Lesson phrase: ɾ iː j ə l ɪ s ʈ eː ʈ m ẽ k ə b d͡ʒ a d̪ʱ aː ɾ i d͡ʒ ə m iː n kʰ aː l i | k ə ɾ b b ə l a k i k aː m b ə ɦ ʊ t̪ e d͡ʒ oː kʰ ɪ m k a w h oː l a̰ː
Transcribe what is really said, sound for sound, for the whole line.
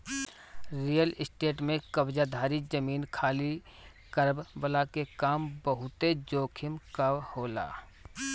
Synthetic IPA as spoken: ɾ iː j ə l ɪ s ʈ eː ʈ m ẽ k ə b d͡ʒ a d̪ʱ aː ɾ i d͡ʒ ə m iː n kʰ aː l i | k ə ɾ b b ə l a k e k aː m b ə ɦ ʊ t̪ e d͡ʒ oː kʰ ɪ m k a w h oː l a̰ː